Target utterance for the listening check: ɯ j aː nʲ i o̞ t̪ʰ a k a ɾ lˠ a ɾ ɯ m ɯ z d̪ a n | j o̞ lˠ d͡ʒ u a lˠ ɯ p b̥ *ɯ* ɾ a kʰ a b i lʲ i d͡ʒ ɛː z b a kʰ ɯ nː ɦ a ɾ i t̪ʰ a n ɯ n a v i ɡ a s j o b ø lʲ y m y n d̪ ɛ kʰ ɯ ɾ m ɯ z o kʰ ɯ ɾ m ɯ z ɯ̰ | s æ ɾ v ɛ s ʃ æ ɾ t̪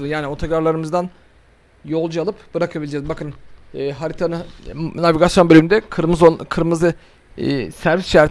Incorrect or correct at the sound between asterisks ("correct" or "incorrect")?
correct